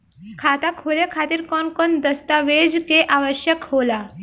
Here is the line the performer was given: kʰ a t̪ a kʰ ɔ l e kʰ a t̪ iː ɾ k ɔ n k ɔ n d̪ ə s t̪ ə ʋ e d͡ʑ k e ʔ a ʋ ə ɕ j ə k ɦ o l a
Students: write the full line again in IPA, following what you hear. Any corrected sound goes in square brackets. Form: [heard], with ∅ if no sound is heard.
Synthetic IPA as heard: kʰ a t̪ a kʰ [o] l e kʰ a t̪ iː ɾ k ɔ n k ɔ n d̪ ə s t̪ [a] ʋ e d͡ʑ k e ʔ a ʋ ə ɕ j ə k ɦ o l a